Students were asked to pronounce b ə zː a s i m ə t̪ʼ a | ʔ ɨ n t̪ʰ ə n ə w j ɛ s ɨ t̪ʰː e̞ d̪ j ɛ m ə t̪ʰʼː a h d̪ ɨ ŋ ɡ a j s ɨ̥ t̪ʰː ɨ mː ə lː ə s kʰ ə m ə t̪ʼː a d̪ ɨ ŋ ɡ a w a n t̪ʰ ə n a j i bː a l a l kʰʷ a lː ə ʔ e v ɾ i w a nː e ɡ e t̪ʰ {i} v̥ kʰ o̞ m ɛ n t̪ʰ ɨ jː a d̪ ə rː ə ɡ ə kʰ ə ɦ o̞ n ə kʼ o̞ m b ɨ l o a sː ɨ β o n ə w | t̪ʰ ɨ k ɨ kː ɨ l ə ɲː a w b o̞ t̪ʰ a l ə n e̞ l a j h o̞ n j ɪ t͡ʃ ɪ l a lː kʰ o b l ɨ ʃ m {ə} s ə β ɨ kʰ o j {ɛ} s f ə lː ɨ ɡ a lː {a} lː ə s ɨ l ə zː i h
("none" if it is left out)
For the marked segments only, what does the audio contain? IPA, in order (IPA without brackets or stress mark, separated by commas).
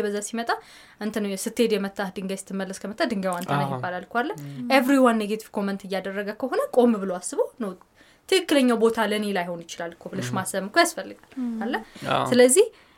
i, a, a, a